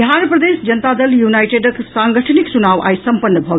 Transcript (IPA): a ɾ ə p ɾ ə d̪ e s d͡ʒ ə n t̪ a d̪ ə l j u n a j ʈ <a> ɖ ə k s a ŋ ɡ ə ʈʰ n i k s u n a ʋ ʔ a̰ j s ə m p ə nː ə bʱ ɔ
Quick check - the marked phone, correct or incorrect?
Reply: incorrect: e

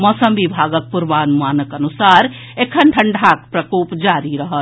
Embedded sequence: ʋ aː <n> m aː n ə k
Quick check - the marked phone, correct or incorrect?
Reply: correct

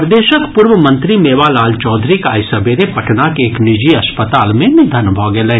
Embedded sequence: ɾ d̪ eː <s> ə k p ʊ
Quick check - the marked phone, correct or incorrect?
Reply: incorrect: ʃ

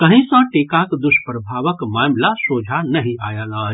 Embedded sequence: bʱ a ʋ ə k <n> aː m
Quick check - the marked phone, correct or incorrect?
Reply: incorrect: m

